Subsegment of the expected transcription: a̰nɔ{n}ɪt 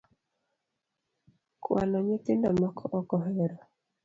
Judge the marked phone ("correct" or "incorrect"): incorrect